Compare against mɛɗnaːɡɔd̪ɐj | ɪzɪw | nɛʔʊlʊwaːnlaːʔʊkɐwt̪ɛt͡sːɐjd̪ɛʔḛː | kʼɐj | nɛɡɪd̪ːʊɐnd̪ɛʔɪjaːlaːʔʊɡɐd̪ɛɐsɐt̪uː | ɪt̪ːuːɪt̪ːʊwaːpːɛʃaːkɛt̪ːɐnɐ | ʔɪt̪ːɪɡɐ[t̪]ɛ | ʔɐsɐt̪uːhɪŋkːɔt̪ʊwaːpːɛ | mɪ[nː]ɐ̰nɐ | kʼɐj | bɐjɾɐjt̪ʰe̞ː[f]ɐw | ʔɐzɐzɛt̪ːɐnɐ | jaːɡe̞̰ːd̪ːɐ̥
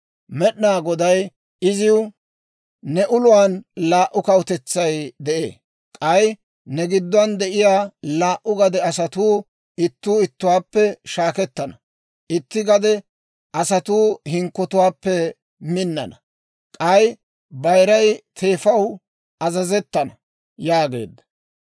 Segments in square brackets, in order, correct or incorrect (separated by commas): incorrect, correct, correct